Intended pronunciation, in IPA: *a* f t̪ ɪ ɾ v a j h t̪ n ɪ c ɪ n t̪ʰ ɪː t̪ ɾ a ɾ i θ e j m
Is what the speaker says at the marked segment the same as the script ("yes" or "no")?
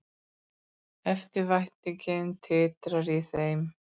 no